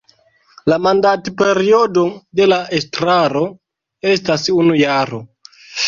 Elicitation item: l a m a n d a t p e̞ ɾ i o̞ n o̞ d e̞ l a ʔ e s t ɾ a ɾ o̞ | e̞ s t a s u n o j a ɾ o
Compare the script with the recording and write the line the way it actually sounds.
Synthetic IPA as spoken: l a m a n d a t p e̞ ɾ i o̞ d o̞ d e̞ l a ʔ e s t ɾ a ɾ o̞ | e̞ s t a s u n u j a ɾ o

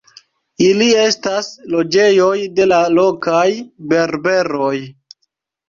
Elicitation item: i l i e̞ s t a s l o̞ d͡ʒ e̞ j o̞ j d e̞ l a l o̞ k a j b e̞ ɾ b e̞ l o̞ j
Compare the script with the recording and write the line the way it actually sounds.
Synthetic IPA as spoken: i l i e̞ s t a s l o̞ d͡ʒ e̞ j o̞ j d e̞ l a l o̞ k a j b e̞ ɾ b e̞ ɾ o̞ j

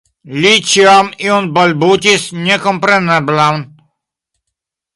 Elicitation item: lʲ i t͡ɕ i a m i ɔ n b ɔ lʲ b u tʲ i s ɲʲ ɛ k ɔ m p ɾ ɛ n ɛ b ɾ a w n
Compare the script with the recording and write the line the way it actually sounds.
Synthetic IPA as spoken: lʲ i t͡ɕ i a m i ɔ n b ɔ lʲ b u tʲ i s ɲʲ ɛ k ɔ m p ɾ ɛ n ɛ b l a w n

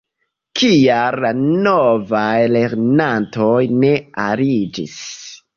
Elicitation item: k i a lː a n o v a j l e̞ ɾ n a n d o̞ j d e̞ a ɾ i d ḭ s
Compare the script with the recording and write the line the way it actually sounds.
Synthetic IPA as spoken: k i a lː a n o v a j l e̞ ɾ n a n t o̞ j n e̞ a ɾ i d͡ʒ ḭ s

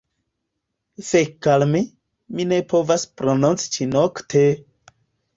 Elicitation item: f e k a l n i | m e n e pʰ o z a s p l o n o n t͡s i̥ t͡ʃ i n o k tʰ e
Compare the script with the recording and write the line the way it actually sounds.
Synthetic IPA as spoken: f e k a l m i | m i n e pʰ o v a s p ɾ o n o n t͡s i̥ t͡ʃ i n o k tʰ e

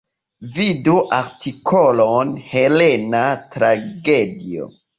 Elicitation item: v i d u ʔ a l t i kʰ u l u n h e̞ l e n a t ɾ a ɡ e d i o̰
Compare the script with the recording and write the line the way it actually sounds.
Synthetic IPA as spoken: v i d u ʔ a ɾ t i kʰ o l o n h e̞ l e n a t ɾ a ɡ e d i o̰

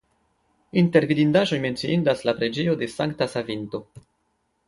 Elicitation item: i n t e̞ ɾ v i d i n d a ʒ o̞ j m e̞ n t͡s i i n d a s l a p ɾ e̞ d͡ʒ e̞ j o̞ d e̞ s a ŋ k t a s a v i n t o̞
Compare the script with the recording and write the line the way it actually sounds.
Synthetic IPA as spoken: i n t e̞ ɾ v i d i n d a ʒ o̞ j m e̞ n t͡s i i n d a s l a p ɾ e̞ d͡ʒ e̞ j o̞ d e̞ s a ŋ k t a s a v i n t o̞

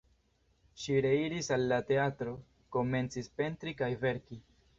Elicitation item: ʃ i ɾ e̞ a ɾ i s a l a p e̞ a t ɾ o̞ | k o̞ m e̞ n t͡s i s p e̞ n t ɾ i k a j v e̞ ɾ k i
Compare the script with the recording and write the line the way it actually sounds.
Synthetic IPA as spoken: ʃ i ɾ e̞ i ɾ i s a lː a t e̞ a t ɾ o̞ | k o̞ m e̞ n t͡s i s p e̞ n t ɾ i k a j v e̞ ɾ k i

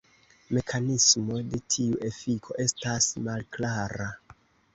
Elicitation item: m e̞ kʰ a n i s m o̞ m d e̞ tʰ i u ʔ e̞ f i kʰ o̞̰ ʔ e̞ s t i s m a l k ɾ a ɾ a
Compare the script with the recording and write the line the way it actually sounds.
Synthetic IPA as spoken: m e̞ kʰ a n i s m o̞ d e̞ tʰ i u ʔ e̞ f i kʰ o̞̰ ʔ e̞ s t a s m a l k l a ɾ a

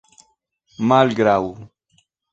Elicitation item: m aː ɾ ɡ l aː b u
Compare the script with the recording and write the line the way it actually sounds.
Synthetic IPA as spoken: m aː l ɡ ɾ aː w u

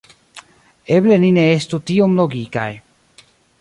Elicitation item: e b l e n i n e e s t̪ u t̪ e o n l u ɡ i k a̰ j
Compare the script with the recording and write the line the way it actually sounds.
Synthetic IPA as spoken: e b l e n i n e e s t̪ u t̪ i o m l o ɡ i k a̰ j

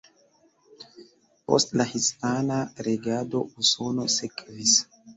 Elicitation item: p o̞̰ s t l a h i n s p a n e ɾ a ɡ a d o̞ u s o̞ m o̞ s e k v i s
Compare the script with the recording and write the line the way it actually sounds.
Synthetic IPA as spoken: p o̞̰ s t l a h i s p a n a ɾ e ɡ a d o̞ u s o̞ n o̞ s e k v i s

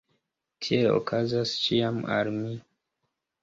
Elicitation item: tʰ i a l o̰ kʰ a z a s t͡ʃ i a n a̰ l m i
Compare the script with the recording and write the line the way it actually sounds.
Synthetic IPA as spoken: tʰ i e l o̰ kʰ a z a s t͡ʃ i a m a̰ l m i

